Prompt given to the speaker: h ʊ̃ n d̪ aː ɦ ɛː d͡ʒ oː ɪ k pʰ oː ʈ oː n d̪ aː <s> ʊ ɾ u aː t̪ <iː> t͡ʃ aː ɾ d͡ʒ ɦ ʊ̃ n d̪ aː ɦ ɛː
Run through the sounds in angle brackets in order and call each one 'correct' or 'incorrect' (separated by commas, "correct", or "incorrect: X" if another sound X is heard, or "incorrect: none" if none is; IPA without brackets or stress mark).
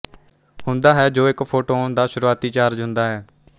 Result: incorrect: ʃ, correct